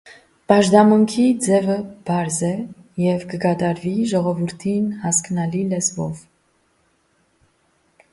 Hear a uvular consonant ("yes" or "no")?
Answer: yes